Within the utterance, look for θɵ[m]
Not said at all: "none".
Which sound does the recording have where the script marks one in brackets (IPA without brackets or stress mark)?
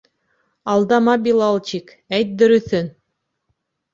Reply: n